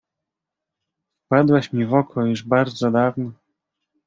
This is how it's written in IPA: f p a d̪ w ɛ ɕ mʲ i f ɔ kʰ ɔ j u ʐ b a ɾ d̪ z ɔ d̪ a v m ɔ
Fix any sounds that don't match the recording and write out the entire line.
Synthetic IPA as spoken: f p a d̪ w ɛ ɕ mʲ i v ɔ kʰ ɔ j u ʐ b a ɾ d̪ z ɔ d̪ a v n ɔ